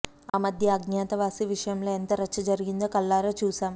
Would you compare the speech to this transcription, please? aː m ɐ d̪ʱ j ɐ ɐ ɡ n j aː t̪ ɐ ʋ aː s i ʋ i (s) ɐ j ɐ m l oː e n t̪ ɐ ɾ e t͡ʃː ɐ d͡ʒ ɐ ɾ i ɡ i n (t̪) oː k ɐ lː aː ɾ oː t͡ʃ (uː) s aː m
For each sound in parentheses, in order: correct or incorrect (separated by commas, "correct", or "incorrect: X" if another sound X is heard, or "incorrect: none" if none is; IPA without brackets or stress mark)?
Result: incorrect: ʂ, incorrect: d̪, correct